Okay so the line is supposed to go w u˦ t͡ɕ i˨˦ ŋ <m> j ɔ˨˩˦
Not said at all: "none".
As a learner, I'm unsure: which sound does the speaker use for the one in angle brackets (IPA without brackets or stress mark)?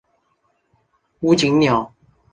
n